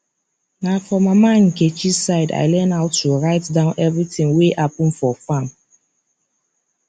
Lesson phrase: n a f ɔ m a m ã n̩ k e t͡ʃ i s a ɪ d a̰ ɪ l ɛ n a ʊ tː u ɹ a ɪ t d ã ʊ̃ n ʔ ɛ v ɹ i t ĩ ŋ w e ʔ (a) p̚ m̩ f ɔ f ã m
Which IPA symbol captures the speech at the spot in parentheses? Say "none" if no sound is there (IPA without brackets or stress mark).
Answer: a